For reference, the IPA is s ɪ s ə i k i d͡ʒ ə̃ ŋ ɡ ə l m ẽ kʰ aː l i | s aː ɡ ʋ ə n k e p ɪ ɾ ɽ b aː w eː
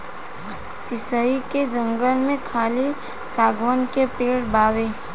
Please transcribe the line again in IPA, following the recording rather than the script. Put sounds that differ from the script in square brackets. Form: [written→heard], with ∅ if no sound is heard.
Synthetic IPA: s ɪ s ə i k [i→e] d͡ʒ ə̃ ŋ ɡ ə l m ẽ kʰ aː l i | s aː ɡ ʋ ə n k e p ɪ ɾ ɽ b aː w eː

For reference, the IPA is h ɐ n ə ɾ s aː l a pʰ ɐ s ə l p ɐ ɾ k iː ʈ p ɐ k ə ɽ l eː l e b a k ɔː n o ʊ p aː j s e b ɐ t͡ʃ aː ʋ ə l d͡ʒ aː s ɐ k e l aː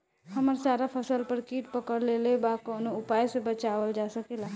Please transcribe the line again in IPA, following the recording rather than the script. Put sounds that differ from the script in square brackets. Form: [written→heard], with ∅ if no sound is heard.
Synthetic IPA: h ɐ [n→m] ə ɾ s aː [l→ɾ] a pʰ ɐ s ə l p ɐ ɾ k iː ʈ p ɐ k ə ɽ l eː l e b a k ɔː n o ʊ p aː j s e b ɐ t͡ʃ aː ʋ ə l d͡ʒ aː s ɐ k e l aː

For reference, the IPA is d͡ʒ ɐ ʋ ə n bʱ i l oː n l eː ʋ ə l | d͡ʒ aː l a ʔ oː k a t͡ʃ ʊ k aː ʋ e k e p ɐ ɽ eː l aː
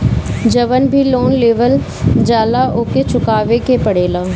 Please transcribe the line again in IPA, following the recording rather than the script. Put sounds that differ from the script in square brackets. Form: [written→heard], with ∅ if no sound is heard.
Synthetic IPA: d͡ʒ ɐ ʋ ə n bʱ i l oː n l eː ʋ ə l | d͡ʒ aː l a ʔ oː k [a→e] t͡ʃ ʊ k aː ʋ e k e p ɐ ɽ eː l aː

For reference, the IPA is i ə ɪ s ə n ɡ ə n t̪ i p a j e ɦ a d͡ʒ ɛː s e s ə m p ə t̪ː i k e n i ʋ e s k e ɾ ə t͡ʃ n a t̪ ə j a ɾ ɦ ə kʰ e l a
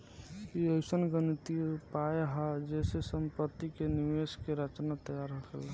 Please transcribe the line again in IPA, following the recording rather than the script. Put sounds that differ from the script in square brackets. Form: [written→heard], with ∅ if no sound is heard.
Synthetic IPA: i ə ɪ s ə n ɡ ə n t̪ i p a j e ɦ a d͡ʒ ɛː s e s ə m p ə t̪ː i k e n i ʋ e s k e ɾ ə t͡ʃ n a t̪ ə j a ɾ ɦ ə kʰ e l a

